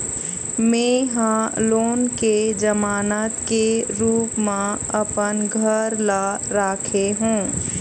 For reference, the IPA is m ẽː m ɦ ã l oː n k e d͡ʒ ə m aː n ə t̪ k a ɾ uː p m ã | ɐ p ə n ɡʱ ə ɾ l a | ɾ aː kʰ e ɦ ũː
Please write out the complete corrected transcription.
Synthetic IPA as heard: m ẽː ɦ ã l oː n k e d͡ʒ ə m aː n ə t̪ k e ɾ uː p m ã | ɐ p ə n ɡʱ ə ɾ l a | ɾ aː kʰ e ɦ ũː